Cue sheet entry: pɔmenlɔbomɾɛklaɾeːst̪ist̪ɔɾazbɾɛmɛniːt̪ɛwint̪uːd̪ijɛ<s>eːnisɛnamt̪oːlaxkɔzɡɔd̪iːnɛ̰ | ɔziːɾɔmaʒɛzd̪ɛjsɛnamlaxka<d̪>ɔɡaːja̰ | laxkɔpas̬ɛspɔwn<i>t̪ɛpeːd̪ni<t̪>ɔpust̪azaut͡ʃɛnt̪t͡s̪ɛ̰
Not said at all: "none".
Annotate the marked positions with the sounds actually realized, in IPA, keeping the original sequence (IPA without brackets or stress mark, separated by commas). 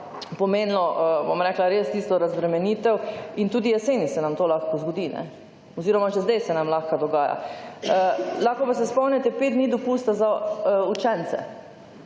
s, d̪, ɛ, d̪